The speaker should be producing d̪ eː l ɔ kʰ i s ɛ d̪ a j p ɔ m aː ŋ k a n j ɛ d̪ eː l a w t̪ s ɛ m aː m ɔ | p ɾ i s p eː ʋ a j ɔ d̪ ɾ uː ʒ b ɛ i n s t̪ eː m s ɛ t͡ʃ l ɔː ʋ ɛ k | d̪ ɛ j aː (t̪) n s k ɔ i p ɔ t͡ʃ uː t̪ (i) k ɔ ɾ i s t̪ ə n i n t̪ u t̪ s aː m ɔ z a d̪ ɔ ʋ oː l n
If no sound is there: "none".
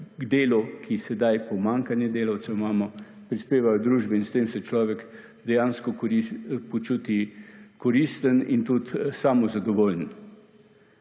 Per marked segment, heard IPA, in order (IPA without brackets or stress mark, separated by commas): none, i